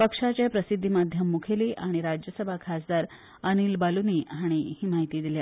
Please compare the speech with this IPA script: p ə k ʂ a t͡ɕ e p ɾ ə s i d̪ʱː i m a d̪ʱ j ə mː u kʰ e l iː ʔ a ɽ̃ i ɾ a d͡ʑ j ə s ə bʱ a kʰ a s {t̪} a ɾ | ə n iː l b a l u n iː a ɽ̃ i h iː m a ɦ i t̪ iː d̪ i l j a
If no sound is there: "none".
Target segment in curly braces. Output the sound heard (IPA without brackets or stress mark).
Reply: d̪